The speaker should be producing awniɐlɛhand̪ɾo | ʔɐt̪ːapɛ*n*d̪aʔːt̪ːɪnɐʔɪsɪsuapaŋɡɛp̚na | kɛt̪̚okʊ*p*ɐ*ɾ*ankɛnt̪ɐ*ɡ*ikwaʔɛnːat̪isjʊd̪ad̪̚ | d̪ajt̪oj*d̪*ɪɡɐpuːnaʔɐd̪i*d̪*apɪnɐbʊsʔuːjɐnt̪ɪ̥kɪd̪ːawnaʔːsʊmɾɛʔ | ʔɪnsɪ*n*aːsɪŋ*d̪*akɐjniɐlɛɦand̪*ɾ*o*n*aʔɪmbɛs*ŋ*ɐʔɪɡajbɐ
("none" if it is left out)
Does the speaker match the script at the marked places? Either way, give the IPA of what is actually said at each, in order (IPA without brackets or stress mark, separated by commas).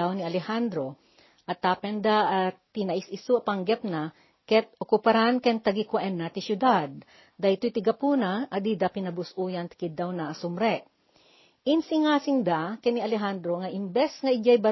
n, p, ɾ, ɡ, t̪, d̪, ŋ, d̪, ɾ, ŋ, ŋ